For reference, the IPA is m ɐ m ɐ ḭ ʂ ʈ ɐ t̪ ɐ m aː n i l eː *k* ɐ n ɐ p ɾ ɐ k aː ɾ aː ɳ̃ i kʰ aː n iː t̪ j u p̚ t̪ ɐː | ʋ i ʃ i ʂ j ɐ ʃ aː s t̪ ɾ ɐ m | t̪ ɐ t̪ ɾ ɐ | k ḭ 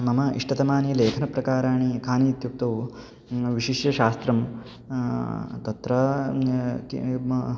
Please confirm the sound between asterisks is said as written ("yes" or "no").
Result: no